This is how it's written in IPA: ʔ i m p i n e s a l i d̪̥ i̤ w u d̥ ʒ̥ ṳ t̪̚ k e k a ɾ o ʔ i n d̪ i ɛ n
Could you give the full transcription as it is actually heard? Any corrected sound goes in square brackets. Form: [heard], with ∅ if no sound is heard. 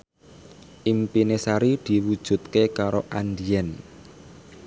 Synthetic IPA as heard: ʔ i m p i n e s a [ɾ] i d̪̥ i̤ w u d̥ ʒ̥ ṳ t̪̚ k e k a ɾ o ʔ [a] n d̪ i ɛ n

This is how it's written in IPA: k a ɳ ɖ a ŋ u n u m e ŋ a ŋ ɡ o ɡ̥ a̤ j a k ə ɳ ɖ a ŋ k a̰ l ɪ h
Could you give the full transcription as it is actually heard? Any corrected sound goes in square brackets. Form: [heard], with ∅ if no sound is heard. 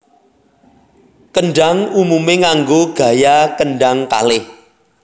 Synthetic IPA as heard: k [ə] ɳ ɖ a ŋ u [m] u m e ŋ a ŋ ɡ o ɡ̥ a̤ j a k ə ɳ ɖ a ŋ k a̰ l ɪ h

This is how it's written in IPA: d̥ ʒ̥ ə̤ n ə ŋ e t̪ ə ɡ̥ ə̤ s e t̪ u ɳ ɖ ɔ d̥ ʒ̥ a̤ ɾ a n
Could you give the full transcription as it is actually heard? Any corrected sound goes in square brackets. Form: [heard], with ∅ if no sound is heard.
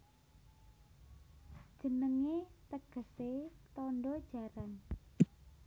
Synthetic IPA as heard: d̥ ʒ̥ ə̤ n ə ŋ e t̪ ə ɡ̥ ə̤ s e t̪ [ɔ] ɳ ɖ ɔ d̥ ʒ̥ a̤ ɾ a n

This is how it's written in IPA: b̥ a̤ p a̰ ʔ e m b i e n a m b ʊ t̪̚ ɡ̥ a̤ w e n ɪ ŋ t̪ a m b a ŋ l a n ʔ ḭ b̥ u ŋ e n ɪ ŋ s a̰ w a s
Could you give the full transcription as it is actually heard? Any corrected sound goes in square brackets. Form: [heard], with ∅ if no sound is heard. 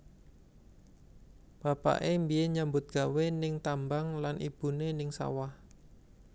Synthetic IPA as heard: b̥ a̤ p a̰ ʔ e m b i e [ɲ] a m b ʊ t̪̚ ɡ̥ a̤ w e n ɪ ŋ t̪ a m b a ŋ l a n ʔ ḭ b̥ u [n] e n ɪ ŋ s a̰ w a [h]

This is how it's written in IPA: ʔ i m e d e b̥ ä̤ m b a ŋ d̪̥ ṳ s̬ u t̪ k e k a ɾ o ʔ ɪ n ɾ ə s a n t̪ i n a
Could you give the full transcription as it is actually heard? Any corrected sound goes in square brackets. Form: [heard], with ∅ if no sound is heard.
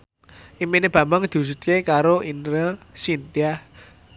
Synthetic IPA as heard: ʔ i m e [n] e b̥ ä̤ m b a ŋ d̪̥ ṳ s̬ u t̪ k e k a ɾ o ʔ [i] n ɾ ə s [i] n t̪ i [∅] a

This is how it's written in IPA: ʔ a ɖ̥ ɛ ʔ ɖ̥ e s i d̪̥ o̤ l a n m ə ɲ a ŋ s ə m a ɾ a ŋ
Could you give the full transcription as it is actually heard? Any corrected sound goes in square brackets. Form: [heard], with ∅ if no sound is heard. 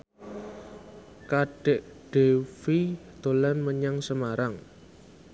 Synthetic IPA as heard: [k] a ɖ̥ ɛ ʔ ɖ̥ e [f] i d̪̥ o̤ l a n m ə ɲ a ŋ s ə m a ɾ a ŋ

